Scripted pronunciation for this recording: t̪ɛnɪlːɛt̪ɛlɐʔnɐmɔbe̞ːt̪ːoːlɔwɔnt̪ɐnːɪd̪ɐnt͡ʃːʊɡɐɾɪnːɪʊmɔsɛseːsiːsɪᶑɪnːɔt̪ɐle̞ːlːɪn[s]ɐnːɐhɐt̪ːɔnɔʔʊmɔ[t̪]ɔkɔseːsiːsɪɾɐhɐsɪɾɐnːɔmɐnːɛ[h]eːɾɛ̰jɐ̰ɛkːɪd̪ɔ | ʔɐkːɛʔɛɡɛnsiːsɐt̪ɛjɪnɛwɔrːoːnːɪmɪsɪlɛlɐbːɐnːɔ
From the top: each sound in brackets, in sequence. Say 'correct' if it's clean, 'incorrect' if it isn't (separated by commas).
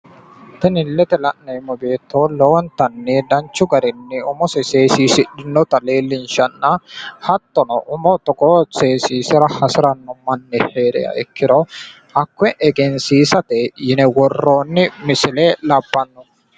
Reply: incorrect, correct, correct